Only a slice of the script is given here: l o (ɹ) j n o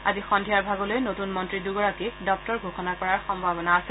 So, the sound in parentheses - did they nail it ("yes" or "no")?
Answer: no